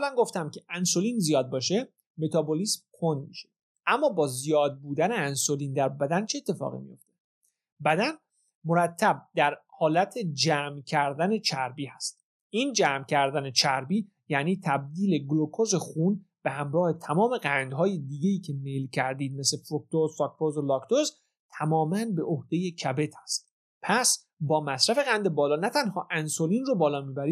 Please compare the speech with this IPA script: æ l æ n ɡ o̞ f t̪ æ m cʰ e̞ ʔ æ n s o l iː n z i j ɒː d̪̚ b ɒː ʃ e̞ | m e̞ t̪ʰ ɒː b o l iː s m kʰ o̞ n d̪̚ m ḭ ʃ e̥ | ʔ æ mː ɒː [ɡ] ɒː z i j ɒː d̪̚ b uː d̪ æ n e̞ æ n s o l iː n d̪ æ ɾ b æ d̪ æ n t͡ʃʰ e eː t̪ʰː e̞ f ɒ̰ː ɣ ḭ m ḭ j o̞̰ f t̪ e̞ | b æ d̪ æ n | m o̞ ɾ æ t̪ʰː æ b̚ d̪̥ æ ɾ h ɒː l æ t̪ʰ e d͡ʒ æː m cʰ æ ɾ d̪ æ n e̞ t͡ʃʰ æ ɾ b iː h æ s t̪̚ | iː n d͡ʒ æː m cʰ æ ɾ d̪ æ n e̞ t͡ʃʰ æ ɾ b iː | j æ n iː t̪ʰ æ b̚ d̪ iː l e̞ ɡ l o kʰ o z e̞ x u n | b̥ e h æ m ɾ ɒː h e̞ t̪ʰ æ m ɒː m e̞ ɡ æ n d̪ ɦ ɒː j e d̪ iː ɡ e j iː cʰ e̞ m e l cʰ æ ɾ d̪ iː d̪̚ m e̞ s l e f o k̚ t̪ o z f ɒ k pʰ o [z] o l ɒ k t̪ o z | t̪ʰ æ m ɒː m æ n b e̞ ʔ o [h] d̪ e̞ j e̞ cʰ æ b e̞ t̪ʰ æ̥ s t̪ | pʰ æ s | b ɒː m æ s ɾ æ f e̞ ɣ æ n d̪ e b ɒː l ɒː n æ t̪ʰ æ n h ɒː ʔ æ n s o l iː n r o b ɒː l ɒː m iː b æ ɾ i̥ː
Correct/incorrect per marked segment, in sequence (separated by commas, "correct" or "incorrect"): incorrect, correct, correct